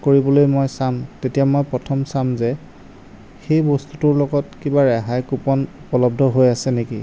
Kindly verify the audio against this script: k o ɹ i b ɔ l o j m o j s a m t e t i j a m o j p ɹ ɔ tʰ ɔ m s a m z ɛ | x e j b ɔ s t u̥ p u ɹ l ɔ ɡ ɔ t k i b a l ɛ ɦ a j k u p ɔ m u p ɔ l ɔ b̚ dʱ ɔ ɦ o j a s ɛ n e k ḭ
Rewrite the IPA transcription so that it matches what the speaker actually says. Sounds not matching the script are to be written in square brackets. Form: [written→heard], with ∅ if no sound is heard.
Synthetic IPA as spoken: k o ɹ i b ɔ l o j m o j s a m t e t i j a m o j p ɹ ɔ tʰ ɔ m s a m z ɛ | x e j b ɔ s t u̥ [p→t] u ɹ l ɔ ɡ ɔ t k i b a [l→ɹ] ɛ ɦ a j k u p ɔ [m→n] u p ɔ l ɔ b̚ dʱ ɔ ɦ o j a s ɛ n e k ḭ